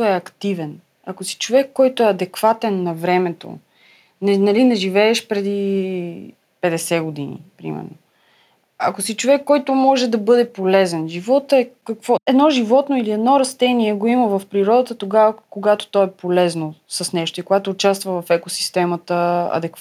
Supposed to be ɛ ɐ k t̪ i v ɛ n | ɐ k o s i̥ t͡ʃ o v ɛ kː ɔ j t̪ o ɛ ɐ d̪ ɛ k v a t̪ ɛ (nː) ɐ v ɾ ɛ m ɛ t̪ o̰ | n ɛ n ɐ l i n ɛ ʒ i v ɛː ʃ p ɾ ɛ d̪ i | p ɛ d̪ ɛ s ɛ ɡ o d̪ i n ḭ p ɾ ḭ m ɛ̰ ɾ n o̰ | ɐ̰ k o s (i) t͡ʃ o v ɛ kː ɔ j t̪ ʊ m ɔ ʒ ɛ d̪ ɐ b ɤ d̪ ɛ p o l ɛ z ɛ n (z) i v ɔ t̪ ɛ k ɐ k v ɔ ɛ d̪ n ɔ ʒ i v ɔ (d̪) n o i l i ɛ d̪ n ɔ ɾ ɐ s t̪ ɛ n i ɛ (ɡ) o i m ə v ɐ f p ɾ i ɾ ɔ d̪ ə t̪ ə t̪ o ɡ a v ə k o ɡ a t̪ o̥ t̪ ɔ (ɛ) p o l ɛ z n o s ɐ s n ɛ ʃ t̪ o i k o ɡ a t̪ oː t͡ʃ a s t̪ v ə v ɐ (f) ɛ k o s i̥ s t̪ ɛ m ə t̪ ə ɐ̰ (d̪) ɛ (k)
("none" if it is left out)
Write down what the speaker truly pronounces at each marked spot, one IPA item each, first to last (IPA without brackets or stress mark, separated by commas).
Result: nː, i, ʒ, t̪, ɡ, ɛ, f, d̪, k